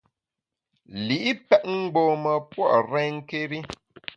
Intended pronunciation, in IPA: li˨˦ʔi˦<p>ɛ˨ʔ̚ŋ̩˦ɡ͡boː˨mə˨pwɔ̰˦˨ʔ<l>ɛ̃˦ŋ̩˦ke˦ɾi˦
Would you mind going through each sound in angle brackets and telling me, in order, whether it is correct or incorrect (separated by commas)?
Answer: correct, incorrect